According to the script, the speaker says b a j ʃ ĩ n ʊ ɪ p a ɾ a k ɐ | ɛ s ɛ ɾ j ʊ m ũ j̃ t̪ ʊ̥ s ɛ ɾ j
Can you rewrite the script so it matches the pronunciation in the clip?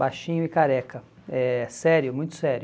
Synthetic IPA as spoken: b a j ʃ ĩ ɲ ʊ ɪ k a ɾ ɛ k ɐ | ɛ s ɛ ɾ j ʊ m ũ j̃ t̪ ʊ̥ s ɛ ɾ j

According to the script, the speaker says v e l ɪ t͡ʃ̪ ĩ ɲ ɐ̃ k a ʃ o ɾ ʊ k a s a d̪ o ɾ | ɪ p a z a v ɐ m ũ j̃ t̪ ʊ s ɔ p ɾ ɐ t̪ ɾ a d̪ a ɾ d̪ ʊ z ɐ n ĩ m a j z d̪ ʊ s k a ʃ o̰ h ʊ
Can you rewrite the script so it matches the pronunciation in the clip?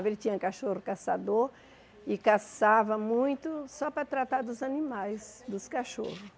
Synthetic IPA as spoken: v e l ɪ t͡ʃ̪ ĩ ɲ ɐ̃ k a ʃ o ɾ ʊ k a s a d̪ o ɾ | ɪ k a s a v ɐ m ũ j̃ t̪ ʊ s ɔ p ɾ ɐ t̪ ɾ a t̪ a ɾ d̪ ʊ z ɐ n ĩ m a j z d̪ ʊ s k a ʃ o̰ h ʊ

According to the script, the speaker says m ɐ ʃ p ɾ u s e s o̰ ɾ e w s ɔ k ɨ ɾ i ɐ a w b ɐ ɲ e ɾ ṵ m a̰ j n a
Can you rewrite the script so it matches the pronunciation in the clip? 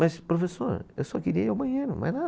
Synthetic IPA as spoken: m ɐ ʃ p ɾ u f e s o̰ ɾ e w s ɔ k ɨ ɾ i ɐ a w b ɐ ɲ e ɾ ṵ m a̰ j n a

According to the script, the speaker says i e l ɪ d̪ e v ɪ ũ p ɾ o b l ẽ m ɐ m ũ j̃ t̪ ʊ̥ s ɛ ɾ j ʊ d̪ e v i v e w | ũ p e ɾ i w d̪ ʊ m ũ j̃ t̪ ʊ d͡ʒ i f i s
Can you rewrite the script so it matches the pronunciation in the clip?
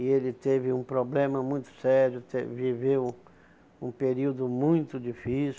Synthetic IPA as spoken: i e l ɪ t̪ e v ɪ ũ p ɾ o b l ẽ m ɐ m ũ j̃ t̪ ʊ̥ s ɛ ɾ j ʊ t̪ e v i v e w | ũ p e ɾ i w d̪ ʊ m ũ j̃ t̪ ʊ d͡ʒ i f i s

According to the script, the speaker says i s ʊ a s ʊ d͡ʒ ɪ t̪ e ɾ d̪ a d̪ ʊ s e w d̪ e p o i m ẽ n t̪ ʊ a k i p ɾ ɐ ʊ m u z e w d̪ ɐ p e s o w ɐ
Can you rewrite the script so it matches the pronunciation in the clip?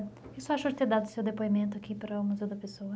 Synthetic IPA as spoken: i s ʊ a ʃ ʊ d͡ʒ ɪ t̪ e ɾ d̪ a d̪ ʊ s e w d̪ e p o i m ẽ n t̪ ʊ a k i p ɾ ɐ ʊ m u z e w d̪ ɐ p e s o w ɐ

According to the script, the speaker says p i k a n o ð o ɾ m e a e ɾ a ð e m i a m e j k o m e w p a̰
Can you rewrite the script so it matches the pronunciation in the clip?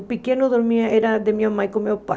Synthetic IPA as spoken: p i k e n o ð o ɾ m i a e ɾ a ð e m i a m a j k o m e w p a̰

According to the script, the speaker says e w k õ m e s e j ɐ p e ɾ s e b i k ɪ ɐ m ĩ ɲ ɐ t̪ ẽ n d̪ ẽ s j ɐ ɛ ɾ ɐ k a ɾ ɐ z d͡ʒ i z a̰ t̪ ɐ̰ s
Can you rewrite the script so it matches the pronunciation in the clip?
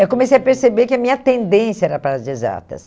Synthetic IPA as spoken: e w k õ m e s e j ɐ p e ɾ s e b e k ɪ ɐ m ĩ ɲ ɐ t̪ ẽ n d̪ ẽ s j ɐ ɛ ɾ ɐ p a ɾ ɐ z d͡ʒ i z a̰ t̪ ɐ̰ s

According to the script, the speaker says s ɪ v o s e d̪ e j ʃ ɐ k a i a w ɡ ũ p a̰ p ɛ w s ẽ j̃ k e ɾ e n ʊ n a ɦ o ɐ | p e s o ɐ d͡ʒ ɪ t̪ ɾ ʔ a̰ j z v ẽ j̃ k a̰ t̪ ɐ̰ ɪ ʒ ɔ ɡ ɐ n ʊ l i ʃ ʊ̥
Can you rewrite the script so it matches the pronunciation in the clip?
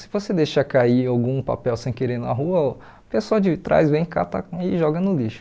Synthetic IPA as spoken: s ɪ v o s e d̪ e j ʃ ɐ k a i a w ɡ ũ p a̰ p ɛ w s ẽ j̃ k e ɾ e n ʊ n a ɦ u ɐ | p e s o ɐ d͡ʒ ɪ t̪ ɾ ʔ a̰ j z v ẽ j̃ k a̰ t̪ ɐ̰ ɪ ʒ ɔ ɡ ɐ n ʊ l i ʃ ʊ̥

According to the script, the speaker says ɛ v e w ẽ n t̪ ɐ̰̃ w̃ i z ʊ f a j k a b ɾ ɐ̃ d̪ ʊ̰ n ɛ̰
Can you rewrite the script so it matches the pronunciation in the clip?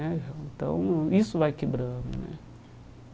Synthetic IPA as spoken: ɛ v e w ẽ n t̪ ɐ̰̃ w̃ i s ʊ v a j k e b ɾ ɐ̃ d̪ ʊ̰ n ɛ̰

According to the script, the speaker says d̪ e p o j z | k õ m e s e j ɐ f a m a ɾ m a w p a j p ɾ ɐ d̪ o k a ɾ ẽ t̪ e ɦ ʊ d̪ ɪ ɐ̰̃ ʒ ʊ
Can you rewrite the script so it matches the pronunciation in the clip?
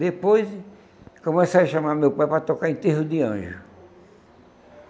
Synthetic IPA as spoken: d̪ e p o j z | k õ m e s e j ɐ ʃ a m a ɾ m e w p a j p ɾ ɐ t̪ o k a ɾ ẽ t̪ e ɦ ʊ d̪ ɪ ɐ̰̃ ʒ ʊ

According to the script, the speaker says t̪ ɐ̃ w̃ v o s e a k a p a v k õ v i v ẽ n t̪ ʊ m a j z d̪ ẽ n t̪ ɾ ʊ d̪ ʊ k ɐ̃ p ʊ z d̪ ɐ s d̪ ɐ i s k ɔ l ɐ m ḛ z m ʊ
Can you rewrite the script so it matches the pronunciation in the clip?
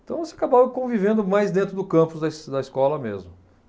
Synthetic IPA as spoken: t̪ ɐ̃ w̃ v o s e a k a b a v k õ v i v ẽ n d̪ ʊ m a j z d̪ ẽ n t̪ ɾ ʊ d̪ ʊ k ɐ̃ p ʊ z d̪ ɐ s d̪ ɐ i s k ɔ l ɐ m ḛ z m ʊ

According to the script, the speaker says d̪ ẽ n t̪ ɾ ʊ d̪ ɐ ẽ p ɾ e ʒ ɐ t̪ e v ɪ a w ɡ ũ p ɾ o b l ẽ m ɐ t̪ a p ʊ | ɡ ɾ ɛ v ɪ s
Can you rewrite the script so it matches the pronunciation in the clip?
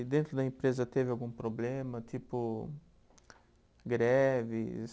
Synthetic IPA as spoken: d̪ ẽ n t̪ ɾ ʊ d̪ ɐ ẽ p ɾ e z ɐ t̪ e v ɪ a w ɡ ũ p ɾ o b l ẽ m ɐ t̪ i p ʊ | ɡ ɾ ɛ v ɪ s

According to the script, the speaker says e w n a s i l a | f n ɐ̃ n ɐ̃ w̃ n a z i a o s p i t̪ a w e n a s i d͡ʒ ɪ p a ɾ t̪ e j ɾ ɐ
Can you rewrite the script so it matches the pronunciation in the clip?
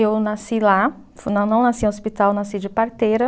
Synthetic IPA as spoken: e w n a s i l a | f n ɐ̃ n ɐ̃ w̃ n a s i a o s p i t̪ a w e n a s i d͡ʒ ɪ p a ɾ t̪ e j ɾ ɐ

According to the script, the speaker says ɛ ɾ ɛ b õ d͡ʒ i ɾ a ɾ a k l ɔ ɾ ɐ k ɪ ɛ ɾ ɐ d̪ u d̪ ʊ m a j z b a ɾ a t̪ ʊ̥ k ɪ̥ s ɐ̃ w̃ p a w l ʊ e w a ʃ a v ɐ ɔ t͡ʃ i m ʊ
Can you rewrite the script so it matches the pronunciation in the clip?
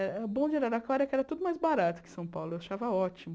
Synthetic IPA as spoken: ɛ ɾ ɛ b õ d͡ʒ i ɾ a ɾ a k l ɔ ɾ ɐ k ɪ ɛ ɾ ɐ t̪ u d̪ ʊ m a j z b a ɾ a t̪ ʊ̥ k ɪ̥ s ɐ̃ w̃ p a w l ʊ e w a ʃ a v ɐ ɔ t͡ʃ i m ʊ

